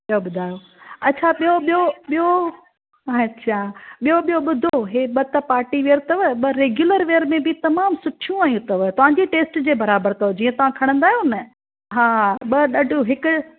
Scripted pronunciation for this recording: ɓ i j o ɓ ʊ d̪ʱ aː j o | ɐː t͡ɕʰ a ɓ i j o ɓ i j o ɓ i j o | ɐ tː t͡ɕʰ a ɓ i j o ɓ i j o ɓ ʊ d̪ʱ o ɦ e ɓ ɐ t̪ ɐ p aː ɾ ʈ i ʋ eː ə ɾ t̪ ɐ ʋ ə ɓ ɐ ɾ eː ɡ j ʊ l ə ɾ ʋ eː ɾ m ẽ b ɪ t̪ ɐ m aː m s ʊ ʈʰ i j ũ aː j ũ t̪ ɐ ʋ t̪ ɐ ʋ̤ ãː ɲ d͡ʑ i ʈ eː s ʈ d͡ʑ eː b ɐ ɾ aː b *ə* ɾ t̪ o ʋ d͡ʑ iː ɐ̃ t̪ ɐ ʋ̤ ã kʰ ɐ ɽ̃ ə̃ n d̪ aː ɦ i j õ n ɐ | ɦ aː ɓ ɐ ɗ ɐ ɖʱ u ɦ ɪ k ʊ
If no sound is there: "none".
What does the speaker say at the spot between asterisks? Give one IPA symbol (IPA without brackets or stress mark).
ə